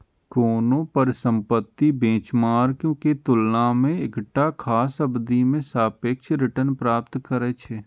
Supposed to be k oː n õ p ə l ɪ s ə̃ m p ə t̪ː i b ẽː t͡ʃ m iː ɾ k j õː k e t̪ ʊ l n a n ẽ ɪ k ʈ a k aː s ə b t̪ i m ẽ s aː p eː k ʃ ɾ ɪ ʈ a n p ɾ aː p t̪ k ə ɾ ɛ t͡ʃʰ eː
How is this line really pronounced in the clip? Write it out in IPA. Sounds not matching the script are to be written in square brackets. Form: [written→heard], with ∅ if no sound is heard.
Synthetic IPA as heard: k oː n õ p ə [l→ɾ] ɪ s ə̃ m p ə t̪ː i b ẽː t͡ʃ m [iː→aː] ɾ k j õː k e t̪ ʊ l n a [n→m] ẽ ɪ k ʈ a [k→kʰ] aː s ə b [t̪→d̪] i m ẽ s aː p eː k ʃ ɾ ɪ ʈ [a→ə] n p ɾ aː p t̪ k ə ɾ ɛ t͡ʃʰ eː

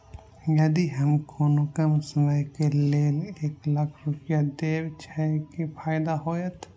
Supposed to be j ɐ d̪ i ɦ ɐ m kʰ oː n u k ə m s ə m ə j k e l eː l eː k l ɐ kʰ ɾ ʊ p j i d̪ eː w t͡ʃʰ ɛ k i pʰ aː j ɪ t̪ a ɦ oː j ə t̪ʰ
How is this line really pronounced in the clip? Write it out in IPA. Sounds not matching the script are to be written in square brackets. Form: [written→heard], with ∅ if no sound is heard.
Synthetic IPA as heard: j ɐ d̪ i ɦ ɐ m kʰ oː n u k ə m s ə m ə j k e l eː l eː k l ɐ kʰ ɾ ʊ p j [i→a] d̪ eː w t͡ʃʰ ɛ k i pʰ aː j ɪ [t̪→d̪] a ɦ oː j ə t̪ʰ

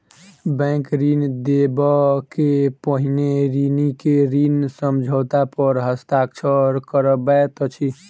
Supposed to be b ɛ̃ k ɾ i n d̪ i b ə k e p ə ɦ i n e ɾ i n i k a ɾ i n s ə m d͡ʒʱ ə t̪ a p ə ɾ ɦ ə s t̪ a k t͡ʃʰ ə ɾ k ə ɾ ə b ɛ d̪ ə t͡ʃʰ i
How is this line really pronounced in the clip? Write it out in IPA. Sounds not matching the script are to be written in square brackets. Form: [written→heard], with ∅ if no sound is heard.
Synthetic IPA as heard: b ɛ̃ k ɾ i n d̪ [i→e] b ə k e p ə ɦ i n e ɾ i n i k [a→e] ɾ i n s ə m d͡ʒʱ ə t̪ a p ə ɾ ɦ ə s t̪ a k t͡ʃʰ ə ɾ k ə ɾ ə b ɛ [d̪→t̪] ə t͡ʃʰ i

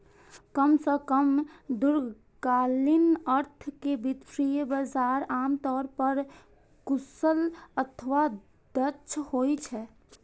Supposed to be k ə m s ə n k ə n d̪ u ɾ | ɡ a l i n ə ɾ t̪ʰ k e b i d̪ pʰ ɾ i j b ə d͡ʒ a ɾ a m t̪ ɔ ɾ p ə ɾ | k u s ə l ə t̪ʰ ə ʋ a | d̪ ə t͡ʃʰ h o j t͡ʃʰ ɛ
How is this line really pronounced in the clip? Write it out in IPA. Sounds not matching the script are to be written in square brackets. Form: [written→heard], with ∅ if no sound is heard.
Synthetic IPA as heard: k ə m s ə [n→∅] k ə [n→m] d̪ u ɾ | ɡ a l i n ə ɾ t̪ʰ k e b i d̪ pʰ ɾ i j b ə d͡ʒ a ɾ a m t̪ ɔ ɾ p ə ɾ | k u s ə l ə t̪ʰ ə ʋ a | d̪ ə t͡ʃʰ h o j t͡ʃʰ ɛ

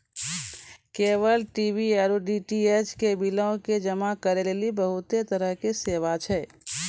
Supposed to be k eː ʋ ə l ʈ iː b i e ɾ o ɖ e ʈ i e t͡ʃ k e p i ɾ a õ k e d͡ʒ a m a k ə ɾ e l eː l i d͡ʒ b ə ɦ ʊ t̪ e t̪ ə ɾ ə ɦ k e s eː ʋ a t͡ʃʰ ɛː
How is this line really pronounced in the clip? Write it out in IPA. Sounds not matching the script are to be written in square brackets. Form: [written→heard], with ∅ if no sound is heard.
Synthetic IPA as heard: k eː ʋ ə l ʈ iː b i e ɾ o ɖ [e→i] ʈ i e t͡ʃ k e [p→b] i [ɾ→l] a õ k e d͡ʒ [a→ə] m a k ə ɾ e l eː l i [d͡ʒ→∅] b ə ɦ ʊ t̪ e t̪ ə ɾ ə ɦ k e s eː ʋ a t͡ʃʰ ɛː

